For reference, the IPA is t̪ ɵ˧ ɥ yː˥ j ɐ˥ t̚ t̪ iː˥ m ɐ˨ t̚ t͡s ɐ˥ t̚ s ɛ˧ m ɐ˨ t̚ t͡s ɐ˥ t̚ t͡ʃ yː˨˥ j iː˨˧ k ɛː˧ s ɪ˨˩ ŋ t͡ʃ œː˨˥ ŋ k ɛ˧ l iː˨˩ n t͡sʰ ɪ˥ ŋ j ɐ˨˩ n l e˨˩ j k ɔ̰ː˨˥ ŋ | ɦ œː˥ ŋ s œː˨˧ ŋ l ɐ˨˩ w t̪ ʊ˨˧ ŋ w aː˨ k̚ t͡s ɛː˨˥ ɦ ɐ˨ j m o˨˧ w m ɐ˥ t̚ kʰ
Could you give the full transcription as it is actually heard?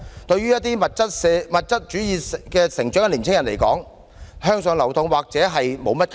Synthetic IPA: t̪ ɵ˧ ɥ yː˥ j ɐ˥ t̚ t̪ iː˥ m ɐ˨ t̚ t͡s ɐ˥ t̚ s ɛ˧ m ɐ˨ t̚ t͡s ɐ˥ t̚ t͡ʃ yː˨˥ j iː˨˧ k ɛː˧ s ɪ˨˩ ŋ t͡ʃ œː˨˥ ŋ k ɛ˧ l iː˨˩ n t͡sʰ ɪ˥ ŋ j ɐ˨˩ n l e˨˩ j k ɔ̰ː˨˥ ŋ | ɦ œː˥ ŋ s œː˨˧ ŋ l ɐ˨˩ w t̪ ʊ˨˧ ŋ w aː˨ k̚ t͡s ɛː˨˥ ɦ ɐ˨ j m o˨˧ w m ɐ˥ t̚ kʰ